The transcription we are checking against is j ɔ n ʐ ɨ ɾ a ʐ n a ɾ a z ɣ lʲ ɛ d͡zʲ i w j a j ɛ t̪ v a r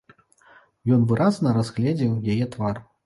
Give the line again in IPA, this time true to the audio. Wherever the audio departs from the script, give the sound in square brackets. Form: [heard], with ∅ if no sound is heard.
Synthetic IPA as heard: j ɔ n [v] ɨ ɾ a [z] n [ɐ] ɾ a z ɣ lʲ ɛ d͡zʲ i w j a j ɛ t̪ v a r